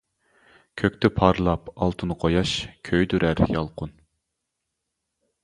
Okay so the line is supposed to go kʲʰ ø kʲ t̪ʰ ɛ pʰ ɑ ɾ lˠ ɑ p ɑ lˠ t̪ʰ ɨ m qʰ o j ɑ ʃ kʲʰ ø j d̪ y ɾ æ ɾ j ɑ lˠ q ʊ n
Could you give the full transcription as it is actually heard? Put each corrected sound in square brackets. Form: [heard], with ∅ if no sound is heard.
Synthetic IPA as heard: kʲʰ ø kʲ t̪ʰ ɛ pʰ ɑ ɾ lˠ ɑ p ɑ lˠ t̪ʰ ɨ [n] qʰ o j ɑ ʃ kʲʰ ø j d̪ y ɾ æ ɾ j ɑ lˠ q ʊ n